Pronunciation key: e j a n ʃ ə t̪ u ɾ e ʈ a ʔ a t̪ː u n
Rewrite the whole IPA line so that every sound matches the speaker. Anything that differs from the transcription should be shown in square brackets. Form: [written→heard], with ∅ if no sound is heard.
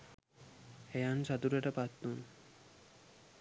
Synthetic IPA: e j a n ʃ [ə→a] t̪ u ɾ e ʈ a [ʔ→p] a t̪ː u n